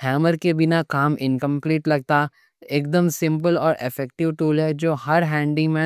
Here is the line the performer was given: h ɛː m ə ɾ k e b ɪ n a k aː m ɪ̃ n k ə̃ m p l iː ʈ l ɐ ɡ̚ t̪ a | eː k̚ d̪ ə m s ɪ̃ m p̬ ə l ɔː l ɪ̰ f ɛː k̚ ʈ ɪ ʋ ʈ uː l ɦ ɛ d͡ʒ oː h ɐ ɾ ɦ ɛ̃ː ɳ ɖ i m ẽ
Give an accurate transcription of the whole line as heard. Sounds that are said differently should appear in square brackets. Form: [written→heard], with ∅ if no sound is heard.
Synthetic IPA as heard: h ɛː m ə ɾ k e b ɪ n a k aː m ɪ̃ n k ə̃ m p l iː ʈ l ɐ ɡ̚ t̪ a | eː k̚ d̪ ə m s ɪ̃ m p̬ ə l ɔː [l→ɾ] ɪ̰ f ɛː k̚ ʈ ɪ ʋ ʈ uː l ɦ ɛ d͡ʒ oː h ɐ ɾ ɦ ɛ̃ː ɳ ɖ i m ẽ